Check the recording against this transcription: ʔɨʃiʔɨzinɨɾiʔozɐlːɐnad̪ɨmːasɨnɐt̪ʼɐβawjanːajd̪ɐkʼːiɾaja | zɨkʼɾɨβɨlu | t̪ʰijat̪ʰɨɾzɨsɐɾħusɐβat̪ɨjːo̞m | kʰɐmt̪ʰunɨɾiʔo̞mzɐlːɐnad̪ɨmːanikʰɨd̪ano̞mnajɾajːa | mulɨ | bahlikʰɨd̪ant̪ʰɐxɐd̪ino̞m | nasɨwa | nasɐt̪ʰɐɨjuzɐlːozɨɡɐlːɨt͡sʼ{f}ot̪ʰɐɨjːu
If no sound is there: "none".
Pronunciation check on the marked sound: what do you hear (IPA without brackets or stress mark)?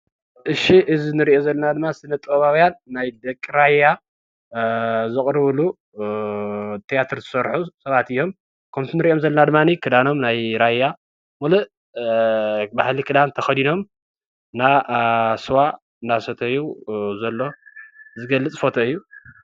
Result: f